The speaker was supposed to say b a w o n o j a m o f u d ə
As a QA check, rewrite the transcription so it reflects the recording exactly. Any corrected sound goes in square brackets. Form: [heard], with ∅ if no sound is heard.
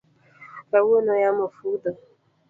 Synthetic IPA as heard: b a w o n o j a m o f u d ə